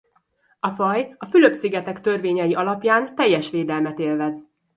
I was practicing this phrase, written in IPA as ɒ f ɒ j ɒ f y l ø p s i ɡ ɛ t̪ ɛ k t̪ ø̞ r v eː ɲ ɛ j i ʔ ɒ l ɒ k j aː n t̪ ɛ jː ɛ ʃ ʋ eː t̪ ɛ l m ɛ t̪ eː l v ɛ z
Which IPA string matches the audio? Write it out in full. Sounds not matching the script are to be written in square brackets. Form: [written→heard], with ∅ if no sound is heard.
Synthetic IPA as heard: ɒ f ɒ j ɒ f y l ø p s i ɡ ɛ t̪ ɛ k t̪ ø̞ r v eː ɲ ɛ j i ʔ ɒ l ɒ [k→p] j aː n t̪ ɛ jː ɛ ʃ ʋ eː [t̪→d̪] ɛ l m ɛ t̪ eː l v ɛ z